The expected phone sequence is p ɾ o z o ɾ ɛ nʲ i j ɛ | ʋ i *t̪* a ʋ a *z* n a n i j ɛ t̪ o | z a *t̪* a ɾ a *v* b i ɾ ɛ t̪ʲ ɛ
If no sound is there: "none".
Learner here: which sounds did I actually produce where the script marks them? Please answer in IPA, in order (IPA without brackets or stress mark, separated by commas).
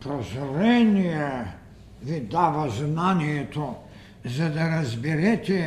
d̪, z, d̪, z